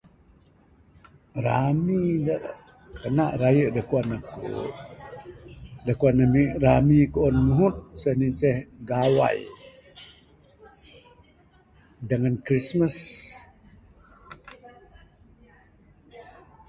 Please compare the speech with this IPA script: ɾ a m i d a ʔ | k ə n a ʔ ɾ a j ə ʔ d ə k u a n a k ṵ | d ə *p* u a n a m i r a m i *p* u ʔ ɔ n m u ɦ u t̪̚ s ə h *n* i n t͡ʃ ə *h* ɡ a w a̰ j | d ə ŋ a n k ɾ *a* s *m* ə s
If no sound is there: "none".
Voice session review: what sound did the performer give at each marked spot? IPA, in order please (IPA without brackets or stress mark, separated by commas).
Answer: k, k, n, h, i, m